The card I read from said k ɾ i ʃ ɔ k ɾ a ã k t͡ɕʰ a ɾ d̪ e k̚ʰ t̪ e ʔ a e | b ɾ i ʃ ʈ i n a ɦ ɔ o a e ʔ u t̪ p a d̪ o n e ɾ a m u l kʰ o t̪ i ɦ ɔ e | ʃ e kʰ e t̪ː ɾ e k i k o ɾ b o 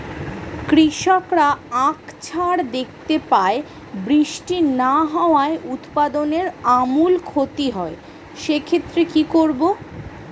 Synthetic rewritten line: k ɾ i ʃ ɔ k ɾ a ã k t͡ɕʰ a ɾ d̪ e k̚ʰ t̪ e p a e | b ɾ i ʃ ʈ i n a ɦ ɔ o a e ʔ u t̪ p a d̪ o n e ɾ a m u l kʰ o t̪ i ɦ ɔ e | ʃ e kʰ e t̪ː ɾ e k i k o ɾ b o